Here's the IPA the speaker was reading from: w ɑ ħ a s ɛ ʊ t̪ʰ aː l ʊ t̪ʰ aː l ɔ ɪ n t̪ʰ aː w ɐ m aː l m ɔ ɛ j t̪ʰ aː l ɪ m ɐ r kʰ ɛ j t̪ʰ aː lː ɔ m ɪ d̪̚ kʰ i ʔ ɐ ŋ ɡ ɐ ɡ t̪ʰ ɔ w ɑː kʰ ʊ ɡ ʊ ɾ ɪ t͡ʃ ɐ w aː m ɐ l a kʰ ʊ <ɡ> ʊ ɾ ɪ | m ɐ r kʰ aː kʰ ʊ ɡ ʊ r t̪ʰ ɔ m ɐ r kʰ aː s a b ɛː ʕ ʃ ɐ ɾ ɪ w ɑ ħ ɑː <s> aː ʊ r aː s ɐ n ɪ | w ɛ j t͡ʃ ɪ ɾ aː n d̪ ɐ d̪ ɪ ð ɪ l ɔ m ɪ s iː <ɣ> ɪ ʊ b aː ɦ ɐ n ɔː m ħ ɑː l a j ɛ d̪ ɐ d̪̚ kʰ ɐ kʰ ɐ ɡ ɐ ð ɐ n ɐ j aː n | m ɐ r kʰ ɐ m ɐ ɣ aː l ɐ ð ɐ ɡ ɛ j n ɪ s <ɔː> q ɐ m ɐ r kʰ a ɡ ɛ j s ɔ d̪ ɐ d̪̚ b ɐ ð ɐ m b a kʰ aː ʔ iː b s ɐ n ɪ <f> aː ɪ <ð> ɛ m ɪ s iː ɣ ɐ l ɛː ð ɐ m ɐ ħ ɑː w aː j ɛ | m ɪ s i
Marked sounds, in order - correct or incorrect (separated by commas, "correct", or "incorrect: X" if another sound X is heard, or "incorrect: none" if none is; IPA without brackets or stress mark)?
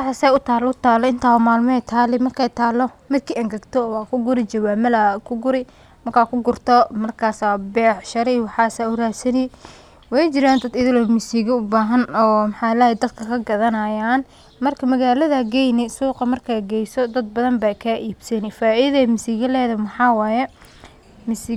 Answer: correct, correct, correct, incorrect: uː, correct, correct